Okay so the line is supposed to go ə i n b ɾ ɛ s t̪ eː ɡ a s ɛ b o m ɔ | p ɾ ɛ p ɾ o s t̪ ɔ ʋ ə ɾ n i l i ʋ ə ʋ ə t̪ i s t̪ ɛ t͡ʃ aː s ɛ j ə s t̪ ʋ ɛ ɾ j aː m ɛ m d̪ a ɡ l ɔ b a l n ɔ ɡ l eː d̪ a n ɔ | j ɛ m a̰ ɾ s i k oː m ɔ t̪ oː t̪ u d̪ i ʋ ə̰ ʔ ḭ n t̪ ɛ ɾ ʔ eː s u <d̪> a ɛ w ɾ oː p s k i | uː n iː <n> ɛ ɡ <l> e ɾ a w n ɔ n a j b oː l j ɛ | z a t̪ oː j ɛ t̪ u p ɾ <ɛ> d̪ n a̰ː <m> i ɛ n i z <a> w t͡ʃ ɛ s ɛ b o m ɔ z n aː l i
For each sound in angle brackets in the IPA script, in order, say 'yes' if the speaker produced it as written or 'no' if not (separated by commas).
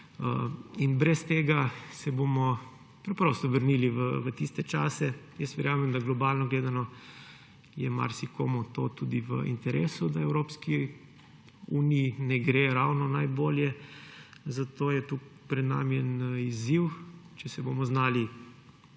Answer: yes, yes, no, yes, yes, no